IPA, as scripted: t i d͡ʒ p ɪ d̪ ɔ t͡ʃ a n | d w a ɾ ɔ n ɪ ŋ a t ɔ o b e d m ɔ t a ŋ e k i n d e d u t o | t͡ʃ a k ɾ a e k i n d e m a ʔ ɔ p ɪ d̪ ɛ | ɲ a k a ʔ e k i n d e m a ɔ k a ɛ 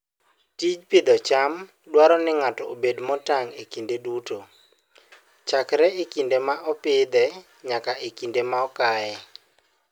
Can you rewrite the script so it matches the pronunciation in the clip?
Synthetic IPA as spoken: t i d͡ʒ p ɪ d̪ ɔ t͡ʃ a m | d w a ɾ ɔ n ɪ ŋ a t ɔ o b e d m ɔ t a ŋ e k i n d e d u t o | t͡ʃ a k ɾ ɛ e k i n d e m a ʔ ɔ p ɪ d̪ ɛ | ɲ a k a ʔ e k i n d e m a ɔ k a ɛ

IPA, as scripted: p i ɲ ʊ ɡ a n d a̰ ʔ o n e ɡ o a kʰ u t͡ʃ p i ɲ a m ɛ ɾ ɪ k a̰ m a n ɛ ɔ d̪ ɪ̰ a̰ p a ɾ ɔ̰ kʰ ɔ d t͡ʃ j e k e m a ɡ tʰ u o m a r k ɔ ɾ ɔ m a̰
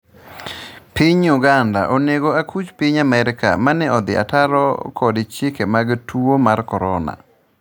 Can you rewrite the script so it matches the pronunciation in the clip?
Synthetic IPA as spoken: p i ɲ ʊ ɡ a n d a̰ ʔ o n e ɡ o a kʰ u t͡ʃ p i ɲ a m ɛ ɾ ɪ k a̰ m a n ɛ ɔ d̪ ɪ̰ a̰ t a ɾ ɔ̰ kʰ ɔ d t͡ʃ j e k e m a ɡ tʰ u o m a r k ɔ ɾ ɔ n a̰

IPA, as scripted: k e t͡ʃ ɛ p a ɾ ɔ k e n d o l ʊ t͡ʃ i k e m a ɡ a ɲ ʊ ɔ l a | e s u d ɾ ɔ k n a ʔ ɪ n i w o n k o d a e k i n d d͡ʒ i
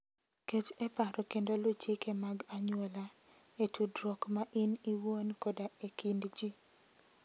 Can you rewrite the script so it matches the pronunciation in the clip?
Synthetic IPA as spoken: k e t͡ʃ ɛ p a ɾ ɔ k e n d o l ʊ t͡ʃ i k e m a ɡ a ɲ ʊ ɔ l a | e t u d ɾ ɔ k m a ʔ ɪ n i w o n k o d a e k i n d d͡ʒ i

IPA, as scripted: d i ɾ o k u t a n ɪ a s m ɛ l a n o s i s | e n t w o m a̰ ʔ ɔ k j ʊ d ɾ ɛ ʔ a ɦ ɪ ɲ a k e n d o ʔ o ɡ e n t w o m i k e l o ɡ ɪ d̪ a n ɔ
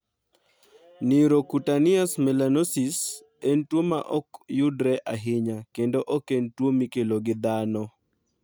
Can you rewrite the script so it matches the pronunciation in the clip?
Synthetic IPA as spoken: n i ɾ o k u t a n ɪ a s m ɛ l a n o s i s | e n t w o m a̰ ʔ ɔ k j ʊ d ɾ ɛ ʔ a ɦ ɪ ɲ a k e n d o ʔ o k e n t w o m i k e l o ɡ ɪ d̪ a n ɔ

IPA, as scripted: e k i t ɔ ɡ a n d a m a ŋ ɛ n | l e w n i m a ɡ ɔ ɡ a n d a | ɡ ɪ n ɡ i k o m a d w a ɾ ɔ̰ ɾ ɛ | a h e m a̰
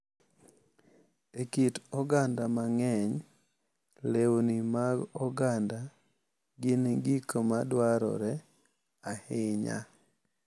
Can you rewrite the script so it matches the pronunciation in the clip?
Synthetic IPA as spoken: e k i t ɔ ɡ a n d a m a ŋ ɛ ɲ | l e w n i m a ɡ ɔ ɡ a n d a | ɡ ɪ n ɡ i k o m a d w a ɾ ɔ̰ ɾ ɛ | a h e ɲ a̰

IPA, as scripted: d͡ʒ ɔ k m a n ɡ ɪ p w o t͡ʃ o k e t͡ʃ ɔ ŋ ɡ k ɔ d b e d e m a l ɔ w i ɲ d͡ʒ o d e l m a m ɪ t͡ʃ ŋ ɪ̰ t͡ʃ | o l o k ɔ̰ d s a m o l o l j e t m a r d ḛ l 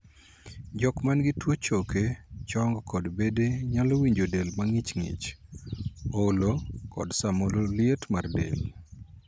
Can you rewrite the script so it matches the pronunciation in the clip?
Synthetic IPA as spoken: d͡ʒ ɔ k m a n ɡ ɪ t w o t͡ʃ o k e t͡ʃ ɔ ŋ ɡ k ɔ d b e d e ɲ a l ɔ w i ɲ d͡ʒ o d e l m a ŋ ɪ t͡ʃ ŋ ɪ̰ t͡ʃ | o l o k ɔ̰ d s a m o l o l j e t m a r d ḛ l

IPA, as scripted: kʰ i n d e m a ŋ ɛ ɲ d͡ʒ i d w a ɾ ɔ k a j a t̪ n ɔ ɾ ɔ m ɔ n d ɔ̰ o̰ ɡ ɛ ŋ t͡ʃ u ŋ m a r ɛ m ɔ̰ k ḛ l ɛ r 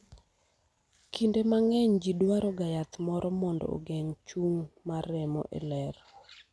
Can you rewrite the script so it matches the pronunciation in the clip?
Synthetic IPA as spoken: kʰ i n d e m a ŋ ɛ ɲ d͡ʒ i d w a ɾ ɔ ɡ a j a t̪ m ɔ ɾ ɔ m ɔ n d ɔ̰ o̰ ɡ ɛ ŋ t͡ʃ u ŋ m a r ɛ m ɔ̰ ʔ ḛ l ɛ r

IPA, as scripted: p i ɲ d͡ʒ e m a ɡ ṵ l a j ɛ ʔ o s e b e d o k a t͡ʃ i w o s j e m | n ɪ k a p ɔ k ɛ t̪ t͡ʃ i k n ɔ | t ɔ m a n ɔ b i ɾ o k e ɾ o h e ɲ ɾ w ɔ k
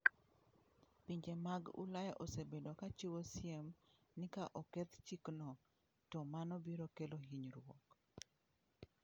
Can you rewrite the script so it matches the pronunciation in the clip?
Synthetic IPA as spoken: p i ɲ d͡ʒ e m a ɡ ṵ l a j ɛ ʔ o s e b e d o k a t͡ʃ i w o s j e m | n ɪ k a ʔ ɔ k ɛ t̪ t͡ʃ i k n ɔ | t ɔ m a n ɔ b i ɾ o k e l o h i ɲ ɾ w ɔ k

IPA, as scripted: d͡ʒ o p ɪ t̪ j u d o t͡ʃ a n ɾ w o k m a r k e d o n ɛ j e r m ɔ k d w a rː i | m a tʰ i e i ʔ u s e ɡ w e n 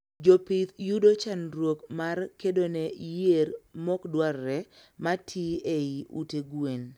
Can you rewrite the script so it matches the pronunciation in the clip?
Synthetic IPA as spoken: d͡ʒ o p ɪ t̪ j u d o t͡ʃ a n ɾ w o k m a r k e d o n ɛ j e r m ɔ k d w a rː ɛ | m a tʰ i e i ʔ u t e ɡ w e n

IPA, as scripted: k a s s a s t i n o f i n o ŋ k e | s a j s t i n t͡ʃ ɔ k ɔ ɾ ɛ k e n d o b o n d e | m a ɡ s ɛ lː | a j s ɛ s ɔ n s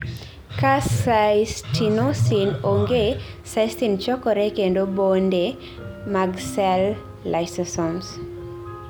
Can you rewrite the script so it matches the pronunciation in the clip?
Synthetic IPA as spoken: k a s s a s t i n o s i n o ŋ ɡ e | s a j s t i n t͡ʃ ɔ k ɔ ɾ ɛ k e n d o b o n d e | m a ɡ s ɛ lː | a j s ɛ s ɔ n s

